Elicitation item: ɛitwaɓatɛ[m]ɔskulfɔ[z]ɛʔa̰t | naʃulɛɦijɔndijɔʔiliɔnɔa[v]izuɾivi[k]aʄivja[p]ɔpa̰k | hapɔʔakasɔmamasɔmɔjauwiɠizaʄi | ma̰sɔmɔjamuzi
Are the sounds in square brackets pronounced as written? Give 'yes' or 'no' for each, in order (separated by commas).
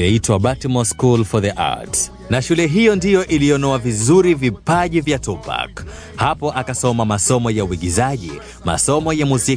yes, no, yes, no, no